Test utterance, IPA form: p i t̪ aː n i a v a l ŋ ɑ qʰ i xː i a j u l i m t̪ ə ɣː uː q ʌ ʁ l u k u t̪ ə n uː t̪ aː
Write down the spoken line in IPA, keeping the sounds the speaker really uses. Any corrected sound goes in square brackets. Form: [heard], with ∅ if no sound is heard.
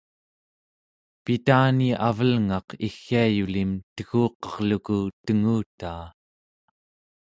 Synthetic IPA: p i t̪ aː n i a v [ə] l ŋ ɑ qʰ i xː i a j u l i m t̪ ə [ɣ] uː q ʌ ʁ l u k u t̪ ə [ŋ] uː t̪ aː